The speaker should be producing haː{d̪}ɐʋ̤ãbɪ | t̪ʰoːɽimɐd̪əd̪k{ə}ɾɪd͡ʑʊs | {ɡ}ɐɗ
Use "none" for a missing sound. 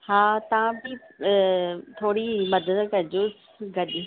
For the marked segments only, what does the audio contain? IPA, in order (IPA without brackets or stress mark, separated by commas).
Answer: t̪, ɐ, ɡ